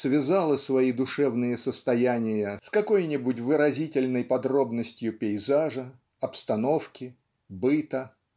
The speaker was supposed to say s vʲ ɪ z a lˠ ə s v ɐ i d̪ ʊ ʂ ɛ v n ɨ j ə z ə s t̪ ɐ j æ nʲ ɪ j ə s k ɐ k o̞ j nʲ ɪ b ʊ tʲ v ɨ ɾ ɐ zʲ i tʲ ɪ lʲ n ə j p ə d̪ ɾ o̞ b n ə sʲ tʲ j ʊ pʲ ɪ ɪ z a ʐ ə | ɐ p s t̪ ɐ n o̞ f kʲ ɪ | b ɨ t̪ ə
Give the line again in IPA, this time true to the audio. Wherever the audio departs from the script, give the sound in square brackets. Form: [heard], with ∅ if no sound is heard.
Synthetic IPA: s vʲ ɪ z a lˠ ə s v ɐ i d̪ ʊ ʂ ɛ v n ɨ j ə [s] ə s t̪ ɐ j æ nʲ ɪ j ə s k ɐ k o̞ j nʲ ɪ b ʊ tʲ v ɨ ɾ ɐ zʲ i tʲ ɪ lʲ n ə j p [ɐ] d̪ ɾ o̞ b n ə sʲ tʲ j ʊ pʲ ɪ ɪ z a ʐ ə | ɐ p s t̪ ɐ n o̞ f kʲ ɪ | b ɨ t̪ ə

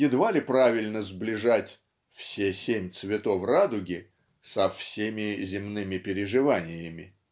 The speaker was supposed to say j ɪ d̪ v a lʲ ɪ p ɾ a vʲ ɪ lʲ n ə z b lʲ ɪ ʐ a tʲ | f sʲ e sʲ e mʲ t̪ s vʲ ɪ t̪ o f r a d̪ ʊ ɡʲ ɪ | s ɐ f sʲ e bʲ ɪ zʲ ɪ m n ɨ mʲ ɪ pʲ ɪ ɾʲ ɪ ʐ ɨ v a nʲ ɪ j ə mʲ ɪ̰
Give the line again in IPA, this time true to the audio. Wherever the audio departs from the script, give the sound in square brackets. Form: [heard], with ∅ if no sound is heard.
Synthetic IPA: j ɪ d̪ v a lʲ ɪ p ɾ a vʲ ɪ lʲ n ə z b lʲ ɪ ʐ a tʲ | f sʲ e sʲ e mʲ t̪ s vʲ ɪ t̪ o f r a d̪ ʊ ɡʲ ɪ | s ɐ f sʲ e [mʲ] ɪ zʲ ɪ m n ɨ mʲ ɪ pʲ ɪ ɾʲ ɪ ʐ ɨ v a nʲ ɪ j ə mʲ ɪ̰

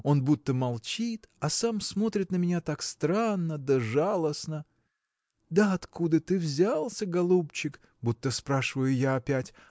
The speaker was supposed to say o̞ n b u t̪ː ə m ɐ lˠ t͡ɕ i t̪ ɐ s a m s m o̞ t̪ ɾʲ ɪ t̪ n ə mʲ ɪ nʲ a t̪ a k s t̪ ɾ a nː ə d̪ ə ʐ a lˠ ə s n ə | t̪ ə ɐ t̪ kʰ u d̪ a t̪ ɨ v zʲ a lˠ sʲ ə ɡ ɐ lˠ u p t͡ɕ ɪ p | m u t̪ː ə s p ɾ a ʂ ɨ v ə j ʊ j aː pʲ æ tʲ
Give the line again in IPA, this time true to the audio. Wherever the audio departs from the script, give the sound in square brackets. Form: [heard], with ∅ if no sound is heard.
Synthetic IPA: o̞ n b u t̪ː ə m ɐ lˠ t͡ɕ i t̪ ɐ s a m s m o̞ t̪ ɾʲ ɪ t̪ n ə mʲ ɪ nʲ a t̪ a k s t̪ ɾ a nː ə d̪ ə ʐ a lˠ ə s n ə | [d̪] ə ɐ t̪ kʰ u d̪ [ə] t̪ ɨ v zʲ a lˠ sʲ ə ɡ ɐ lˠ u p t͡ɕ ɪ [k] | [b] u t̪ː ə s p ɾ a ʂ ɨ v ə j ʊ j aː pʲ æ tʲ

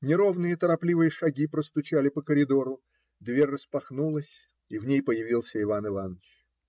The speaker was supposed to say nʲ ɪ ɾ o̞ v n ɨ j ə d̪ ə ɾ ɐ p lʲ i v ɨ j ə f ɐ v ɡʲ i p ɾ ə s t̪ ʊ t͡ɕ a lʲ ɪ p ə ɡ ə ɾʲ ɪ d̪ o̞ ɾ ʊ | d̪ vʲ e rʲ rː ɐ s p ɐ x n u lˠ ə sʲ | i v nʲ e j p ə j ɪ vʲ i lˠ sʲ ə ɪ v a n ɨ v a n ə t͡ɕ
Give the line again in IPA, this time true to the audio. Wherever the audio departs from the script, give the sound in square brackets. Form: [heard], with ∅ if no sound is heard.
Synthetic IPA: nʲ ɪ ɾ o̞ v n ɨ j ə [t̪] ə ɾ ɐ p lʲ i v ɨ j ə [ʂ] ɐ [∅] ɡʲ i p ɾ ə s t̪ ʊ t͡ɕ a lʲ ɪ p ə [k] ə ɾʲ ɪ d̪ o̞ ɾ ʊ | d̪ vʲ e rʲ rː [ə] s p ɐ x n u lˠ ə sʲ | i v nʲ e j p ə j ɪ vʲ i lˠ sʲ ə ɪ v a n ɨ v a n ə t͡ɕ

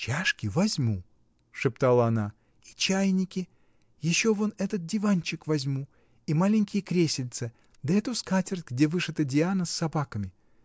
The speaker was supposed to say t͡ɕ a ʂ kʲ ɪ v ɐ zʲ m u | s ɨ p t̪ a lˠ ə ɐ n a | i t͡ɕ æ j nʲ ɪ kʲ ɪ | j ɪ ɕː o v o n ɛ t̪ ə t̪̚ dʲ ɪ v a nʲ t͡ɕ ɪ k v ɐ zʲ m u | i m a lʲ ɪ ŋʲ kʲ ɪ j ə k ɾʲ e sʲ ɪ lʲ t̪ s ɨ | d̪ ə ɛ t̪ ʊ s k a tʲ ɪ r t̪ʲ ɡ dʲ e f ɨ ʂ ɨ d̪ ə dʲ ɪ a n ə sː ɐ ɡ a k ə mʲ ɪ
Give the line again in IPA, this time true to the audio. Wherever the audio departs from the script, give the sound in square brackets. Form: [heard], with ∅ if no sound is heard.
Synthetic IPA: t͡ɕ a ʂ kʲ ɪ v ɐ zʲ m u | [ʂ] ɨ p t̪ a lˠ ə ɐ n a | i t͡ɕ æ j nʲ ɪ kʲ ɪ | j ɪ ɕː o v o n ɛ t̪ ə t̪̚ dʲ ɪ v a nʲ t͡ɕ ɪ k v ɐ zʲ m u | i m a lʲ ɪ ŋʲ kʲ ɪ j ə k ɾʲ e sʲ ɪ lʲ t̪ s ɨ | d̪ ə ɛ t̪ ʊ s k a tʲ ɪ r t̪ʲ ɡ dʲ e [v] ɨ ʂ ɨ [t̪] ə dʲ ɪ a n ə sː ɐ [b] a k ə mʲ ɪ

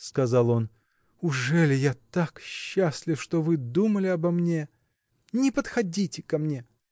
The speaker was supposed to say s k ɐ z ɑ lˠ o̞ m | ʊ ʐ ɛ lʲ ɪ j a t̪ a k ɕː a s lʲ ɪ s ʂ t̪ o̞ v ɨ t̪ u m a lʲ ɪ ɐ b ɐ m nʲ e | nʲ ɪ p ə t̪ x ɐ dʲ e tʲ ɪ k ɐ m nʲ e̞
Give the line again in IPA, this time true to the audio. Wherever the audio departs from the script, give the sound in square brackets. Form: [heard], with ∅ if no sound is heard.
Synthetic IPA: s k ɐ z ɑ lˠ o̞ [n] | ʊ ʐ ɛ lʲ ɪ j a t̪ a k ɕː a s lʲ ɪ [f] ʂ t̪ o̞ v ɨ [d̪] u m [ə] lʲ ɪ ɐ b ɐ m nʲ e | nʲ ɪ p ə t̪ x ɐ dʲ [i] tʲ ɪ k ɐ m nʲ e̞

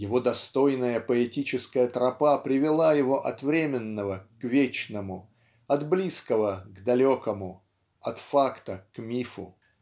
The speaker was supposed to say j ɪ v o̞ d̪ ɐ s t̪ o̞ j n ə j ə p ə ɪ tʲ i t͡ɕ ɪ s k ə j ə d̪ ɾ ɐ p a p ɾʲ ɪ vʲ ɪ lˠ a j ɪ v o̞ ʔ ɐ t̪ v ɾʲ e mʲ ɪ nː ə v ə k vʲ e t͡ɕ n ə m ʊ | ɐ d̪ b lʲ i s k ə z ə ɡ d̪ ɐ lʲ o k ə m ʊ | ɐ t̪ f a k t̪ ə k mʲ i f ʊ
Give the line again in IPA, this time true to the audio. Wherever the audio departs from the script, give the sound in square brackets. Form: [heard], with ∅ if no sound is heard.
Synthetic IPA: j ɪ v o̞ d̪ ɐ s t̪ o̞ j n ə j ə p ə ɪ tʲ i t͡ɕ ɪ s k ə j ə [t̪] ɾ ɐ p a p ɾʲ ɪ vʲ ɪ lˠ a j ɪ v o̞ ʔ ɐ t̪ v ɾʲ e mʲ ɪ nː ə v ə k vʲ e t͡ɕ n ə m ʊ | ɐ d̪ b lʲ i s k ə [v] ə ɡ d̪ ɐ lʲ o k ə m ʊ | ɐ t̪ f a k t̪ ə k mʲ i f ʊ

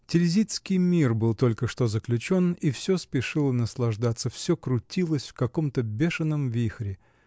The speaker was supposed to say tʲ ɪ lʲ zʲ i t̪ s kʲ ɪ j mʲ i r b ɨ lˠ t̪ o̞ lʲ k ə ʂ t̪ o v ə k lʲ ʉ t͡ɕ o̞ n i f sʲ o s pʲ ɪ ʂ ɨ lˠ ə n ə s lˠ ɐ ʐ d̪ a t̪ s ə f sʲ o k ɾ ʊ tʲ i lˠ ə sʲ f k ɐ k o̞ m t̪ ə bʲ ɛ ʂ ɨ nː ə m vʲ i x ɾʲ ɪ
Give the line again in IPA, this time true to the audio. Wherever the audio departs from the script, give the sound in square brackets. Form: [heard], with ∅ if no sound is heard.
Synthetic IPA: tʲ ɪ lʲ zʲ i t̪ s kʲ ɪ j mʲ i r b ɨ lˠ t̪ o̞ lʲ k ə ʂ t̪ o [z] ə k lʲ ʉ t͡ɕ o̞ n i f sʲ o s pʲ ɪ ʂ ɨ lˠ ə n ə s lˠ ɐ ʐ d̪ a t̪ s ə f sʲ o k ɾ ʊ tʲ i lˠ ə sʲ f k ɐ k o̞ m t̪ ə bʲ [e] ʂ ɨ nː ə m vʲ i x ɾʲ ɪ

